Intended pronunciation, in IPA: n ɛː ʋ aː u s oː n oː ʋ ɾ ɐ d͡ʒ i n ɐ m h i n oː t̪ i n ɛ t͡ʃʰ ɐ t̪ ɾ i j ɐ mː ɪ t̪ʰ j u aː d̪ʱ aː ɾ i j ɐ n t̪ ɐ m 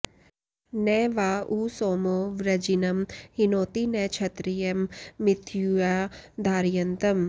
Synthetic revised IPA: n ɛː ʋ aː u s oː m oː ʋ ɾ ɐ d͡ʒ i n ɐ m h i n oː t̪ i n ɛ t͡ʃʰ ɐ t̪ ɾ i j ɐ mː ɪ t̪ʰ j u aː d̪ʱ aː ɾ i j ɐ n t̪ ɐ m